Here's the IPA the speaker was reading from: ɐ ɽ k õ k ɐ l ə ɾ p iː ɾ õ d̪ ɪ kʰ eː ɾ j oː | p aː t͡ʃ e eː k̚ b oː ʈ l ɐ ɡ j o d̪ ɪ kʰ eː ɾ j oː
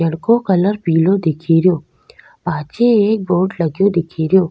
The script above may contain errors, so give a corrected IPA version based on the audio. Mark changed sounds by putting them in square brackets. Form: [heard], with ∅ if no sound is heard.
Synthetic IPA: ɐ ɽ k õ k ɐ l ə ɾ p iː [l] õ d̪ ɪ kʰ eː ɾ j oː | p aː t͡ʃ e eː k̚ b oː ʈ l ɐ ɡ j o d̪ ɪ kʰ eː ɾ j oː